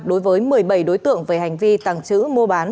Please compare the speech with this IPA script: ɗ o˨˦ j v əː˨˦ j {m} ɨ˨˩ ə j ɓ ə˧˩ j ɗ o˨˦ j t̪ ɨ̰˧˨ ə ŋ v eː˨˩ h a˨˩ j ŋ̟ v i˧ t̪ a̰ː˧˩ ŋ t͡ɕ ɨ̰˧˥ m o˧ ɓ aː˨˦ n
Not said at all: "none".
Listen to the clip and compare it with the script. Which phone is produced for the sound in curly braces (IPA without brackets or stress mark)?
m